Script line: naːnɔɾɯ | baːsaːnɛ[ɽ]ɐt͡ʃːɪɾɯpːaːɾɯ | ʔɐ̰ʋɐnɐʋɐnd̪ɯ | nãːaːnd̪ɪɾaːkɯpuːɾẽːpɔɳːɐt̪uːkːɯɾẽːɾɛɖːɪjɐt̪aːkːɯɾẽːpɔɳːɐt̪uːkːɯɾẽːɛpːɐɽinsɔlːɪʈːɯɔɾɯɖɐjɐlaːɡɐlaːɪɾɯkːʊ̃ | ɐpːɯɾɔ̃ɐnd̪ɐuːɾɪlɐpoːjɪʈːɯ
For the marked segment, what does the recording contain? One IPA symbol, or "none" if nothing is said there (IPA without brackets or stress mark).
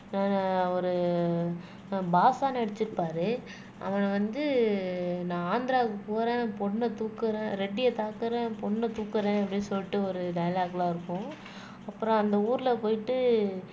ɽ